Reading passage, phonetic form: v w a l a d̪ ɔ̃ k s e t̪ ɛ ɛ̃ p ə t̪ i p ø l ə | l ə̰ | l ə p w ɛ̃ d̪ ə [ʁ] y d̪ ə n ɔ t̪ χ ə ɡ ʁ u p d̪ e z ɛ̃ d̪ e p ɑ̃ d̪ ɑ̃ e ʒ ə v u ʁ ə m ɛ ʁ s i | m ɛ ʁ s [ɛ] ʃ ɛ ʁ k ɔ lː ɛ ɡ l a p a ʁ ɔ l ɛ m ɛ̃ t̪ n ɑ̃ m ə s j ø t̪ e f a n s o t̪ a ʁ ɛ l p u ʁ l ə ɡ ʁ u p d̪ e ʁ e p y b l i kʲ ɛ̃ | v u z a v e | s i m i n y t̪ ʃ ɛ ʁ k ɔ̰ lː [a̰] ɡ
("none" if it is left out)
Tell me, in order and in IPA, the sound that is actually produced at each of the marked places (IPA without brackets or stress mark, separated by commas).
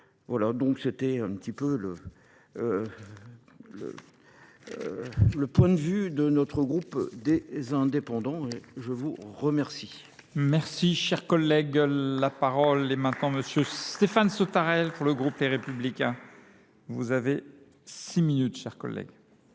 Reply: v, i, ɛ̰